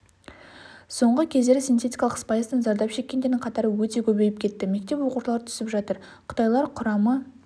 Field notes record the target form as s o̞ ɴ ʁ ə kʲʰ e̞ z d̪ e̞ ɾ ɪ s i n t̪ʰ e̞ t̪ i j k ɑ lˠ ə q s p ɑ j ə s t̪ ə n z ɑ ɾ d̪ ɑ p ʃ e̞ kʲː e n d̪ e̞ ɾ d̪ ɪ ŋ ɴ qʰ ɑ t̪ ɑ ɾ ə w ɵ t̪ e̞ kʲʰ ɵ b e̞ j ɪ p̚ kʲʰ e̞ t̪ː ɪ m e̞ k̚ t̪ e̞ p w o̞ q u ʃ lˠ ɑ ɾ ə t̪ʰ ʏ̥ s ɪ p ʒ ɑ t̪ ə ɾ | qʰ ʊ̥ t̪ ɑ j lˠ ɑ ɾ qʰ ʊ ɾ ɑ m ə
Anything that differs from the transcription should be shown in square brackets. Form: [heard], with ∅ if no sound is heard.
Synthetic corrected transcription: s o̞ ɴ ʁ ə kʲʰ e̞ z d̪ e̞ ɾ ɪ s i n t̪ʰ e̞ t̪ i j k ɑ lˠ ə q s p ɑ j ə s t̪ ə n z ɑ ɾ d̪ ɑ p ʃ e̞ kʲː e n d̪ e̞ ɾ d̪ ɪ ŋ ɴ qʰ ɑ t̪ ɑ ɾ ə w ɵ t̪ e̞ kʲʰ ɵ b e̞ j ɪ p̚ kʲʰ e̞ t̪ː ɪ m e̞ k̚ t̪ e̞ p w o̞ q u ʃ lˠ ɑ ɾ ə t̪ʰ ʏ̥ s ɪ p ʒ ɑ t̪ ə ɾ | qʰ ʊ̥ t̪ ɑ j lˠ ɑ ɾ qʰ ʊ ɾ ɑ m ə